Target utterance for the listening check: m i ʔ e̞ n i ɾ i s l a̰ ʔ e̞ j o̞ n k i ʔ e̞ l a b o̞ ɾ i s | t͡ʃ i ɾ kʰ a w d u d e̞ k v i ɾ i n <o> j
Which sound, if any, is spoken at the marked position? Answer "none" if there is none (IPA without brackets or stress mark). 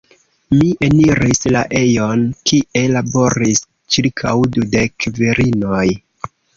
o